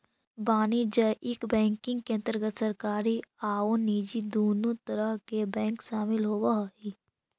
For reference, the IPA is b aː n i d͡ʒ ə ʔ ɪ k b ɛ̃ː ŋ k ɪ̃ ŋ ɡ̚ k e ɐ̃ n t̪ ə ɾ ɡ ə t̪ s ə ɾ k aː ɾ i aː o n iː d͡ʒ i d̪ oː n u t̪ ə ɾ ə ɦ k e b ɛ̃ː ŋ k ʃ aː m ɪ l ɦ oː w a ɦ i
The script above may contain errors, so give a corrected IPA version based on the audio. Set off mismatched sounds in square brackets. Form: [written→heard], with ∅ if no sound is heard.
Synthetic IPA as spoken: b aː n i d͡ʒ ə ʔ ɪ k b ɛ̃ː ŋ k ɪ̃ ŋ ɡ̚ k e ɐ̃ n t̪ ə ɾ ɡ ə t̪ s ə ɾ k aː ɾ i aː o n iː d͡ʒ i d̪ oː n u t̪ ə ɾ ə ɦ k e b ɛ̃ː ŋ k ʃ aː m ɪ l ɦ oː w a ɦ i

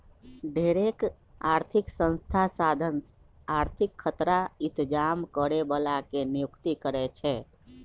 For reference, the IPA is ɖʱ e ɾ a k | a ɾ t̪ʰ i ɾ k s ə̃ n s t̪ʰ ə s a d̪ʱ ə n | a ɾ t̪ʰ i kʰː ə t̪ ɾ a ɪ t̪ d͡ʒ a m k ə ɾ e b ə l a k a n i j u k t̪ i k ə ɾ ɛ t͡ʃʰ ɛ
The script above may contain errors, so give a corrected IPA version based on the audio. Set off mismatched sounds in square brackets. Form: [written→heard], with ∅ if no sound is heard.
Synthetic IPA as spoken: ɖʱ e ɾ [a→e] k | a ɾ t̪ʰ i [ɾ→∅] k s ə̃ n s t̪ʰ [ə→a] s a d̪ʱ ə n | a ɾ t̪ʰ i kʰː ə t̪ ɾ a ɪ t̪ d͡ʒ a m k ə ɾ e b ə l a k [a→e] n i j u k t̪ i k ə ɾ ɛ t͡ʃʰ ɛ

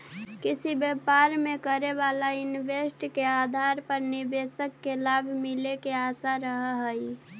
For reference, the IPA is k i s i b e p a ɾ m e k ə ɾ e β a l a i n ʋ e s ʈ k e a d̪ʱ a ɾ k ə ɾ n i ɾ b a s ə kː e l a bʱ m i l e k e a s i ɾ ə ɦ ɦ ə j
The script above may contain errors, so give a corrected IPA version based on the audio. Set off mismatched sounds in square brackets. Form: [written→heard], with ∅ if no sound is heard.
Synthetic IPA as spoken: k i s i b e p a ɾ m e k ə ɾ e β a l a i n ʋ e s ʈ k e a d̪ʱ a ɾ [k→p] ə ɾ n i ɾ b [a→e] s ə kː e l a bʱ m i l e k e a s [i→a] ɾ ə ɦ ɦ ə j

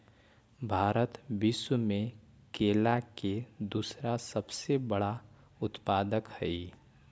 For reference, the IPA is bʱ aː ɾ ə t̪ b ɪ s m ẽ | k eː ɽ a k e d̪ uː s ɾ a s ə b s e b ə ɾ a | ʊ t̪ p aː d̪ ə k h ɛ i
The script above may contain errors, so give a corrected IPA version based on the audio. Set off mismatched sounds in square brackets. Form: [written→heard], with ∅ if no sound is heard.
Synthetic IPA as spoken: bʱ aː ɾ ə t̪ b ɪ s m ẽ | k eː [ɽ→l] a k e d̪ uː s ɾ a s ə b s e b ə [ɾ→ɽ] a | ʊ t̪ p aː d̪ ə k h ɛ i

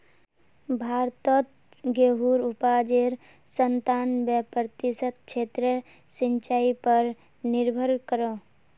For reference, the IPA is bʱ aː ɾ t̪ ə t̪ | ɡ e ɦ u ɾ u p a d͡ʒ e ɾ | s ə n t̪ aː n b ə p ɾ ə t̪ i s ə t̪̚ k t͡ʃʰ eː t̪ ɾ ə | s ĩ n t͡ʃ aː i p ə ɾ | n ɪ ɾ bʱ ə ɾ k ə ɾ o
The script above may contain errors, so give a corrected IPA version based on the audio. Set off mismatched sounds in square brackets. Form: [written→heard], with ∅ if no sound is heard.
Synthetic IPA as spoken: bʱ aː ɾ t̪ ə t̪ | ɡ e ɦ u ɾ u p a d͡ʒ e ɾ | s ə n t̪ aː n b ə p ɾ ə t̪ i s ə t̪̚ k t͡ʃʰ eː t̪ ɾ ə | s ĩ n t͡ʃ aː i p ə ɾ | n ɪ ɾ bʱ ə ɾ k ə ɾ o

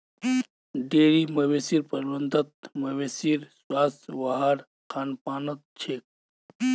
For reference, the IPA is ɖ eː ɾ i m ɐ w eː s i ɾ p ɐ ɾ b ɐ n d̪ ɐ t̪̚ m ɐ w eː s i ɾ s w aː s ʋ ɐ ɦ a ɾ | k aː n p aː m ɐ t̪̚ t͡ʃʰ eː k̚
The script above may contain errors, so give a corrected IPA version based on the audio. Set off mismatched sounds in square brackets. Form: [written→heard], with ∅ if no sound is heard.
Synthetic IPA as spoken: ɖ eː ɾ i m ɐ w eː s i ɾ p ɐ ɾ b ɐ n d̪ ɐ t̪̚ m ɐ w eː s i ɾ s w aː s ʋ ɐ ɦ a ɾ | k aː n p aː [m→n] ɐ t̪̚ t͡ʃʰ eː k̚

